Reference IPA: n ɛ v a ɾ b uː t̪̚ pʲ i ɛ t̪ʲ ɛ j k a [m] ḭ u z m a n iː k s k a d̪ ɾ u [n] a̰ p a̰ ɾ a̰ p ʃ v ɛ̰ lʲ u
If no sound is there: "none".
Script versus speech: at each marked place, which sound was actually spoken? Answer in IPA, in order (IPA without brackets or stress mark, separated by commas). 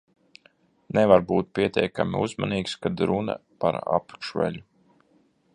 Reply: m, n